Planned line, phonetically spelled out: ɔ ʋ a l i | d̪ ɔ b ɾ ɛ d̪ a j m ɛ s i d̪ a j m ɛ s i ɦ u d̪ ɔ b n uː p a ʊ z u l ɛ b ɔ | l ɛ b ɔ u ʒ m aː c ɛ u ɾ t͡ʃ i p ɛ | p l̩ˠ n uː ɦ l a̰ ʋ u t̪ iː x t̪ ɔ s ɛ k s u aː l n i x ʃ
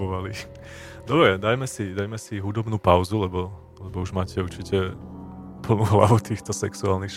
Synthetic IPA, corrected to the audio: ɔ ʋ a l i | d̪ ɔ b ɾ ɛ d̪ a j m ɛ s i d̪ a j m ɛ s i ɦ u d̪ ɔ b n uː p a ʊ z u l ɛ b ɔ | l ɛ b ɔ u ʒ m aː c ɛ u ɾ t͡ʃ i c ɛ | p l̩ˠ n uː ɦ l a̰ ʋ u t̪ iː x t̪ ɔ s ɛ k s u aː l n i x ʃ